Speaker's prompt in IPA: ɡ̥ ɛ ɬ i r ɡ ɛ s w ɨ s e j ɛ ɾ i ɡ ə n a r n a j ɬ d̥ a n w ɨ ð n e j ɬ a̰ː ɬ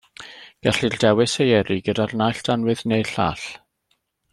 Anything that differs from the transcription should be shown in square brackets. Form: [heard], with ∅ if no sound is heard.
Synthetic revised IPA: ɡ̥ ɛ ɬ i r [d] ɛ [∅] w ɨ s e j ɛ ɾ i ɡ ə [d] a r n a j ɬ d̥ a n w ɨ ð n e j ɬ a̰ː ɬ